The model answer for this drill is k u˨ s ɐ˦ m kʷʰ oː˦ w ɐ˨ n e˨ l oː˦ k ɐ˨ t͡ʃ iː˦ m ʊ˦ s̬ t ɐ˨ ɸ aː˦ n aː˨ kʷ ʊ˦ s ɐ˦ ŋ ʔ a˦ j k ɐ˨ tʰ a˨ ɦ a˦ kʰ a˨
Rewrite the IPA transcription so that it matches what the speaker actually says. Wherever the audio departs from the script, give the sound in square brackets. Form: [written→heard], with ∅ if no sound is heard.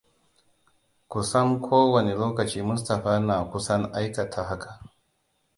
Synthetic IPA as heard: k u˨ s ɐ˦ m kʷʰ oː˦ w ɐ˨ n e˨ l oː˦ k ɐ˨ t͡ʃ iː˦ m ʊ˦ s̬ t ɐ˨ ɸ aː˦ n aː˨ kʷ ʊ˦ s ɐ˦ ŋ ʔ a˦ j k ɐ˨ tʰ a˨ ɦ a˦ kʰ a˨